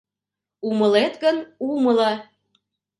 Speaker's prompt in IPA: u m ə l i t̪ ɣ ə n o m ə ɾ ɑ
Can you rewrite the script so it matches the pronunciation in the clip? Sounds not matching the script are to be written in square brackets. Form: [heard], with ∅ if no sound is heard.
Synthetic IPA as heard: u m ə l [e] t̪ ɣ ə n [u] m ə [l] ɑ